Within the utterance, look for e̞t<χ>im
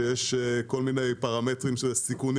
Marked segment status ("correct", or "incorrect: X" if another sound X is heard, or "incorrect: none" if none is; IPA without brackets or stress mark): incorrect: ʁ